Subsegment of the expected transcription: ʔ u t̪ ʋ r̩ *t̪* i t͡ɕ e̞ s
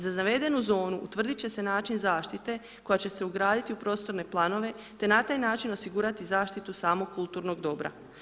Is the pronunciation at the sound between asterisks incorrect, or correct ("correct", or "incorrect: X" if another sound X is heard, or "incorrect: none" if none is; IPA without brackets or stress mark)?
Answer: incorrect: d̪